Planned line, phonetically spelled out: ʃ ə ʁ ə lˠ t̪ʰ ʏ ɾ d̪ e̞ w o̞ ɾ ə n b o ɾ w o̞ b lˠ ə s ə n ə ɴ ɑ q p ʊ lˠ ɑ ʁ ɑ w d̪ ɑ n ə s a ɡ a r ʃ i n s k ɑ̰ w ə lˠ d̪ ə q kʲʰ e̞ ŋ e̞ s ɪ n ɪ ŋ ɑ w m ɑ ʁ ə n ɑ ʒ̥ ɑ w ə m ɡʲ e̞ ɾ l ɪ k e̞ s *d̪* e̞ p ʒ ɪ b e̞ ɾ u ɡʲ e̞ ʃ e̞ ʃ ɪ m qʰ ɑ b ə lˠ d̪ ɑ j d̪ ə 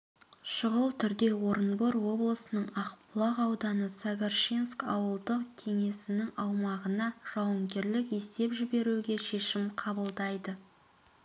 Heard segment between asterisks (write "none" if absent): t̪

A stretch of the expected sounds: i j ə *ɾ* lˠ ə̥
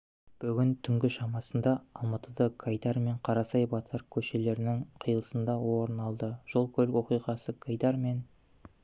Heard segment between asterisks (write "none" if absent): none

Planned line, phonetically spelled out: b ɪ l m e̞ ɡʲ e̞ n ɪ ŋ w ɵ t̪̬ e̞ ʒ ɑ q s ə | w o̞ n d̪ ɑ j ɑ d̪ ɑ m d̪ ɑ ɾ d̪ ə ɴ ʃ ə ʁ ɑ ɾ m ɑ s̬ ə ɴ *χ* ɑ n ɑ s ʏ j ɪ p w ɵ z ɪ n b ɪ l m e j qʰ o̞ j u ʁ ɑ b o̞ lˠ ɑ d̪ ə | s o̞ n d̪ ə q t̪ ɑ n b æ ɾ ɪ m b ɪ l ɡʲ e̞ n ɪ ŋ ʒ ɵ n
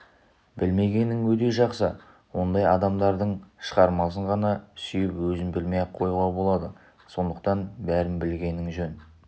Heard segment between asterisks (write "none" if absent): ʁ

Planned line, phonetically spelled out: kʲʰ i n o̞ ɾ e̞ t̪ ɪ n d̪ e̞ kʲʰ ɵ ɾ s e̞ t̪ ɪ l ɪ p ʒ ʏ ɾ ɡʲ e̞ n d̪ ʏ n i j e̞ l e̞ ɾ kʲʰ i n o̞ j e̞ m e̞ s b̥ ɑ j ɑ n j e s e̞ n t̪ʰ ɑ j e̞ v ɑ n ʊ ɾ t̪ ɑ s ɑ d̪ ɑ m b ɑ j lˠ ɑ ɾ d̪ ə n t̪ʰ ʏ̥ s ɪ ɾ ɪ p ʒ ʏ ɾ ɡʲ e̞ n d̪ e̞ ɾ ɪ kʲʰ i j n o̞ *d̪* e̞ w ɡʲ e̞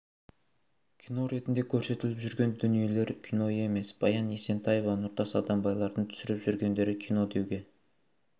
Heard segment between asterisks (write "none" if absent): d̪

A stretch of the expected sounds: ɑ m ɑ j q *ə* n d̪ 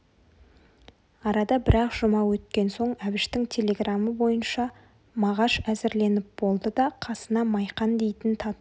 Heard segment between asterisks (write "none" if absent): ɑ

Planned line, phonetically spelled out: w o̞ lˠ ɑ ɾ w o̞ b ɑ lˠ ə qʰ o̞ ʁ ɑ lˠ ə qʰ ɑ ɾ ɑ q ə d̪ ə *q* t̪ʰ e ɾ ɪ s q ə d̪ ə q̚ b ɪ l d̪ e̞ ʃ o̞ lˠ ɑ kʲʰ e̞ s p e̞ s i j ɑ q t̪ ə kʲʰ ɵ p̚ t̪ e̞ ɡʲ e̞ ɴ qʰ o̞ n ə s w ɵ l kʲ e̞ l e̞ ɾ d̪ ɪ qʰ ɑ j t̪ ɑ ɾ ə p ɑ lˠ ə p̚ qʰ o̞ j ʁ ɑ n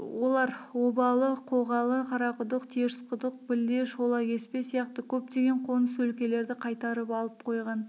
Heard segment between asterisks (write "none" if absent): q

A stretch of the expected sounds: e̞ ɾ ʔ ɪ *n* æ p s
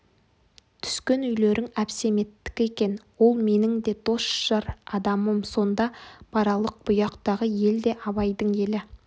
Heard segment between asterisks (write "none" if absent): ŋ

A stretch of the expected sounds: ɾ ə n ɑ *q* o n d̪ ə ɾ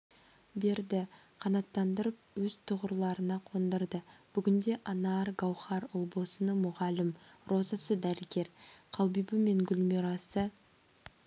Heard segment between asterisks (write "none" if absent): qʰ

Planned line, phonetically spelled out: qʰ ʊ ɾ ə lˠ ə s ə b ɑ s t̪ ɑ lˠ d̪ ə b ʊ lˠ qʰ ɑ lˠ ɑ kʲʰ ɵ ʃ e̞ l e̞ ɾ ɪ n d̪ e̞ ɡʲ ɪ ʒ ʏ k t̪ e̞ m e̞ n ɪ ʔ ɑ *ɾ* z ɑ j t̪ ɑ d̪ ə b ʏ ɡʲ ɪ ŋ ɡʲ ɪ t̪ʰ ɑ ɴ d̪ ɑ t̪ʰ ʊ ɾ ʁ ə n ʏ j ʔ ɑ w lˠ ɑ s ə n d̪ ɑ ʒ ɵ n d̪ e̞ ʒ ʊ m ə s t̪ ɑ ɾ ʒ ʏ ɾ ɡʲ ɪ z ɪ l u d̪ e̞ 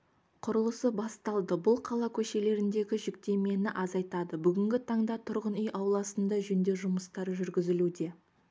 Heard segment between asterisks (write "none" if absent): none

